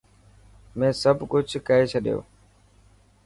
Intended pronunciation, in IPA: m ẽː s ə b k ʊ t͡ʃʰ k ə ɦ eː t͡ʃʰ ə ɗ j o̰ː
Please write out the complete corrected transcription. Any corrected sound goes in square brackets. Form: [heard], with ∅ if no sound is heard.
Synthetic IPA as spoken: m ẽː s ə b k ʊ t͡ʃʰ k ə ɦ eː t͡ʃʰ ə ɗ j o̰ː